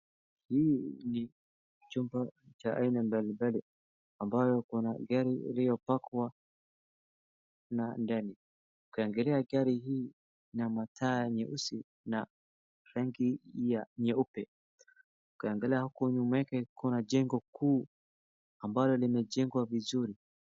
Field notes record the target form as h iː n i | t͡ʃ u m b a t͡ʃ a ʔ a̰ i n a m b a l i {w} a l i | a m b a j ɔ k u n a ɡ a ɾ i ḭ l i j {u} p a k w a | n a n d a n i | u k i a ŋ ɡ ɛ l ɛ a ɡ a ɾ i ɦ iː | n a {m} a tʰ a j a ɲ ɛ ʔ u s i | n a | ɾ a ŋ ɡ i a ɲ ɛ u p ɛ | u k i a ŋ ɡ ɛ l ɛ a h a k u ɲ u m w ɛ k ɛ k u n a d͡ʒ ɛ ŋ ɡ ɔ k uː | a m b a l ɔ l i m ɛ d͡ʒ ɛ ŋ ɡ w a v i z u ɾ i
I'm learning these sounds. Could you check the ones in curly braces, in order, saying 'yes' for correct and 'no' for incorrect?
no, no, yes

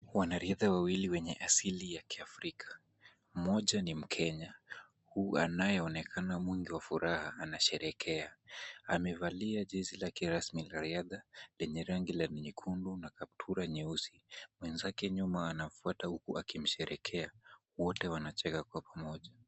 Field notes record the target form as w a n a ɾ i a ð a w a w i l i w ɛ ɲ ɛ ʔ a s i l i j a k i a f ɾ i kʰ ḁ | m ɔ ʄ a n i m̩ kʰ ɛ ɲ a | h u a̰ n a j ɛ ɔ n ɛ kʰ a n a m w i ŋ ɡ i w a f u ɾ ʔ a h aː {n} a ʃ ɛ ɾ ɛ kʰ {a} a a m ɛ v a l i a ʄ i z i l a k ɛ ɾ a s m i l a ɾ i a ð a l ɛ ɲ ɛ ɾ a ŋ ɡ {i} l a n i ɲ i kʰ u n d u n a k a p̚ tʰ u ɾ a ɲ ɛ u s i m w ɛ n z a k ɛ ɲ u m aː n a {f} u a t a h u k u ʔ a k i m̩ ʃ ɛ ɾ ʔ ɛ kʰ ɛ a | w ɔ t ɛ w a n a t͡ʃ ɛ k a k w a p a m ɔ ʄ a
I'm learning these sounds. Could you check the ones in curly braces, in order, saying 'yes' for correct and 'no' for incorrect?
yes, no, yes, yes

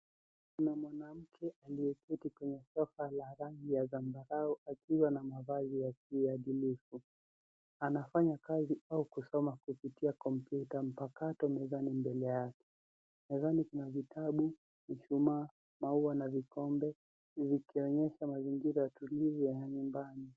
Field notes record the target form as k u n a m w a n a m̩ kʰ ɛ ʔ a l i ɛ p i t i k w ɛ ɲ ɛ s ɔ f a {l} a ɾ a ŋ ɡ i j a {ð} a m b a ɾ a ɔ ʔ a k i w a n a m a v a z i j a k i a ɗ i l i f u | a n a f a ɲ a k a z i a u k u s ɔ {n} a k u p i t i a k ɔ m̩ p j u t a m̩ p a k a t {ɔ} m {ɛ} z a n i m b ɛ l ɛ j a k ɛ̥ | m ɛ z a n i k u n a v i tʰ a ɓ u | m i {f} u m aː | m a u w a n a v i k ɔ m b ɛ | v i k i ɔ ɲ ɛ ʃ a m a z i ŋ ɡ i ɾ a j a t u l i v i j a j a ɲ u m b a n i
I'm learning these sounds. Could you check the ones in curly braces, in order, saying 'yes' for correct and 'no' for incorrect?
yes, no, no, yes, yes, no

